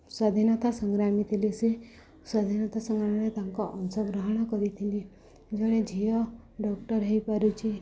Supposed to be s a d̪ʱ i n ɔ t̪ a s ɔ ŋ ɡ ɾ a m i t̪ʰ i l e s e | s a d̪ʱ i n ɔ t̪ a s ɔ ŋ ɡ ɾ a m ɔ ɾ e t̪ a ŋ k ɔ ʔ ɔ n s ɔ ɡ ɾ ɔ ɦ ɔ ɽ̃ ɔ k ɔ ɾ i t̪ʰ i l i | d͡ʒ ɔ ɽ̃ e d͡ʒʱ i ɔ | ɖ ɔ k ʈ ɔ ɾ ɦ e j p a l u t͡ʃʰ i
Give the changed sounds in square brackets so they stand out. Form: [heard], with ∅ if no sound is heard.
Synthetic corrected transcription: s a d̪ʱ i n ɔ t̪ a s ɔ ŋ ɡ ɾ a m i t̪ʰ i l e s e | s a d̪ʱ i n ɔ t̪ a s ɔ ŋ ɡ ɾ a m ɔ ɾ e t̪ a ŋ k ɔ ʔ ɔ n s ɔ ɡ ɾ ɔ ɦ ɔ ɽ̃ ɔ k ɔ ɾ i t̪ʰ i l i | d͡ʒ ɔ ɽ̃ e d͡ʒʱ i ɔ | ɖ ɔ k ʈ ɔ ɾ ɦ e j p a [ɾ] u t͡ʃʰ i

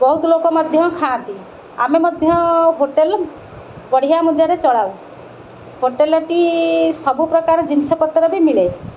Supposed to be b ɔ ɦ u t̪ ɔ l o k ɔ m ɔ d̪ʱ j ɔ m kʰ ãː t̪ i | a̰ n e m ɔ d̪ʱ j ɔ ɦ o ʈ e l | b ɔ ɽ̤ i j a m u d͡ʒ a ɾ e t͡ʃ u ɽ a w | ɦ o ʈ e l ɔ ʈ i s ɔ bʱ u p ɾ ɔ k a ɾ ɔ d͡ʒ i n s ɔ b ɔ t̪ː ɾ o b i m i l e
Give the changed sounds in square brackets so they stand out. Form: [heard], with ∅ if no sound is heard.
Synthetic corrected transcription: b ɔ ɦ u t̪ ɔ l o k ɔ m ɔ d̪ʱ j ɔ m kʰ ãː t̪ i | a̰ [m] e m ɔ d̪ʱ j ɔ ɦ o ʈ e l | b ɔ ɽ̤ i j a m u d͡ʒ a ɾ e t͡ʃ [ɔ] ɽ a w | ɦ o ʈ e l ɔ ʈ i s ɔ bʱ u p ɾ ɔ k a ɾ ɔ d͡ʒ i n s ɔ [p] ɔ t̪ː ɾ [ɔ] b i m i l e

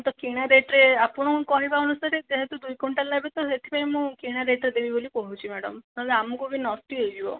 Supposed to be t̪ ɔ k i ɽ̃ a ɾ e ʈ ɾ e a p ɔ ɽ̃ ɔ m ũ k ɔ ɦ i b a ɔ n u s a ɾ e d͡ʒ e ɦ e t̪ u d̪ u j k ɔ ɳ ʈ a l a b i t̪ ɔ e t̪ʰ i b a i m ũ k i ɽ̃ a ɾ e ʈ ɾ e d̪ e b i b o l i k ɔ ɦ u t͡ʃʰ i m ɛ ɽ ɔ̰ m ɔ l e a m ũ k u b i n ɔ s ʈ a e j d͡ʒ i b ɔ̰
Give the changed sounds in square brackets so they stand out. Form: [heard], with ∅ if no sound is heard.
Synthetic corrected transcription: t̪ ɔ k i ɽ̃ a ɾ e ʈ ɾ e a p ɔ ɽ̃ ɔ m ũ k ɔ ɦ i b a ɔ n u s a ɾ e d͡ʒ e ɦ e t̪ u d̪ u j k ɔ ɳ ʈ a l a b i t̪ ɔ e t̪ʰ i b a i m ũ k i ɽ̃ a ɾ e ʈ ɾ e d̪ e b i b o l i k ɔ ɦ u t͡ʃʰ i m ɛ ɽ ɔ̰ m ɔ l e a m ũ k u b i n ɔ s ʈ [i] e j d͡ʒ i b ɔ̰

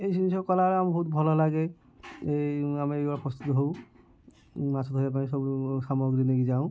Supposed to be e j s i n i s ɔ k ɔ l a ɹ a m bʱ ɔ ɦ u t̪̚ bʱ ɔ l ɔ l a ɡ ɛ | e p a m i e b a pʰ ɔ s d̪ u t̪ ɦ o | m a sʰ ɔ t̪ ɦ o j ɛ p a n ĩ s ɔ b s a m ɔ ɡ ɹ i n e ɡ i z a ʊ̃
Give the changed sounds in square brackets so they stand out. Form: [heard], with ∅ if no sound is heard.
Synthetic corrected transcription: e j s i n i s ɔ k ɔ l a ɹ a m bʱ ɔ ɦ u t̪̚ bʱ ɔ l ɔ l a ɡ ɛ | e [∅] a m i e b a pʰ ɔ s [t̪] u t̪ ɦ o | m a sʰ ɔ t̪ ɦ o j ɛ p a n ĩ s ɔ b s a m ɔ ɡ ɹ i n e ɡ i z a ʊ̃

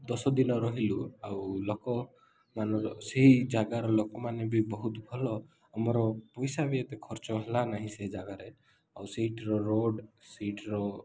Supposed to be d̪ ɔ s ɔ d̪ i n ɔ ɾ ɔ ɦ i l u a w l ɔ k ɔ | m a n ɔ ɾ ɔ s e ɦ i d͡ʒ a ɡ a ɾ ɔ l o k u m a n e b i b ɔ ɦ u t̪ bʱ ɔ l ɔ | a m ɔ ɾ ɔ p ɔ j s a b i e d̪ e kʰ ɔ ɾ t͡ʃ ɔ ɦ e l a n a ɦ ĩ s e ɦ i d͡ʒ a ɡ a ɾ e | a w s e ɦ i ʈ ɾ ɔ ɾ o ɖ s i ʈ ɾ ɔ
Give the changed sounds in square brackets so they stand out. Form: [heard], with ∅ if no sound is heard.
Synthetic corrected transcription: d̪ ɔ s ɔ d̪ i n ɔ ɾ ɔ ɦ i l u a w l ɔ k ɔ | m a n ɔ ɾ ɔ s e ɦ i d͡ʒ a ɡ a ɾ ɔ l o k [ɔ] m a n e b i b ɔ ɦ u t̪ bʱ ɔ l ɔ | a m ɔ ɾ ɔ p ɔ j s a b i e [t̪] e kʰ ɔ ɾ t͡ʃ ɔ ɦ e l a n a ɦ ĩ s e ɦ i d͡ʒ a ɡ a ɾ e | a w s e ɦ i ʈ ɾ ɔ ɾ o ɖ s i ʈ ɾ ɔ

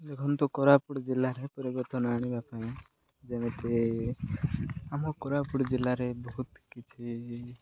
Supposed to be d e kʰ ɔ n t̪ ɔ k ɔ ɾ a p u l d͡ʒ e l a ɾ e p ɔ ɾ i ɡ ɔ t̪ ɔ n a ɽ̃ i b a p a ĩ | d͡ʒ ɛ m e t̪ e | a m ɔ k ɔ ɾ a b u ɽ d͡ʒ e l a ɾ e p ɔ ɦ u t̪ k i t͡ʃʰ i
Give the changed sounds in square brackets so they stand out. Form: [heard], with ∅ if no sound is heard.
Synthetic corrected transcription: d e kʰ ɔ n t̪ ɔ k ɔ ɾ a p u [ɽ] d͡ʒ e l a ɾ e p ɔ ɾ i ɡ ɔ t̪ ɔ n a ɽ̃ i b a p a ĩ | d͡ʒ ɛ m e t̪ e | a m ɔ k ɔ ɾ a [p] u ɽ d͡ʒ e l a ɾ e [b] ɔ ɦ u t̪ k i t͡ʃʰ i

